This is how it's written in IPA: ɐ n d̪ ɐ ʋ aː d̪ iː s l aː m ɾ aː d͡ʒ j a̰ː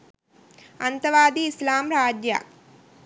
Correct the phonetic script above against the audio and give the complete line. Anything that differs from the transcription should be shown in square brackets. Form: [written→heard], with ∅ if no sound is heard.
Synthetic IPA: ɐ n [d̪→t̪] ɐ ʋ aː d̪ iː s l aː m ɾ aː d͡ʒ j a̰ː